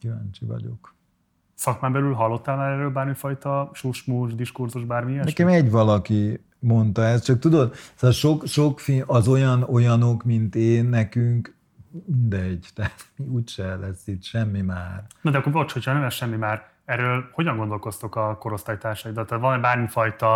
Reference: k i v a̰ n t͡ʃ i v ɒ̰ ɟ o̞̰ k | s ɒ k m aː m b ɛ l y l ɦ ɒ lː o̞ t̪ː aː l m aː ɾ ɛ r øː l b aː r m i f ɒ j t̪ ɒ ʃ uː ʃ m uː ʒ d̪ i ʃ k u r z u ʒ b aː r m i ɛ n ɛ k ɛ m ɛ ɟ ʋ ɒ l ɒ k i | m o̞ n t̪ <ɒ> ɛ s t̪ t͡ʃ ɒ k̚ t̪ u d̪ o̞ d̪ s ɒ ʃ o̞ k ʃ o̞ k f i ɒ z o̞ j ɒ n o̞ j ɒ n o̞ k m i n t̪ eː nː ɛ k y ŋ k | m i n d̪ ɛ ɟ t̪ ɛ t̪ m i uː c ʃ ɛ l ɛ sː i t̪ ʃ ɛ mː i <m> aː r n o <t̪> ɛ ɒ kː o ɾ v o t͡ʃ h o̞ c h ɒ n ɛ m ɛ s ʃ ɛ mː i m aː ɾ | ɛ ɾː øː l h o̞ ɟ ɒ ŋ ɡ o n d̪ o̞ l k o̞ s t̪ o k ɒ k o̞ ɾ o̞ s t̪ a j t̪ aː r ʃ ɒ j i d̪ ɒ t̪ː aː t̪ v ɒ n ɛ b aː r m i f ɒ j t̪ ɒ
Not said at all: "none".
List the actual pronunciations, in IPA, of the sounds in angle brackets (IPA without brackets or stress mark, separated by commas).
ɒ, m, d̪